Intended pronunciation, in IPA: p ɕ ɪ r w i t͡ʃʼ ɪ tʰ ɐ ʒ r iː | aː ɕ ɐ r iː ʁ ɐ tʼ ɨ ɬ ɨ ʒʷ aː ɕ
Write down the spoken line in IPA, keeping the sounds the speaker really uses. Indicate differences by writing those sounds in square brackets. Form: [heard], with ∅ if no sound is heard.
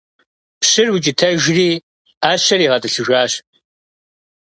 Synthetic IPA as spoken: p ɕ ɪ r w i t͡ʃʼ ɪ tʰ ɐ ʒ r iː | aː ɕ ɐ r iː ʁ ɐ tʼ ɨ ɬ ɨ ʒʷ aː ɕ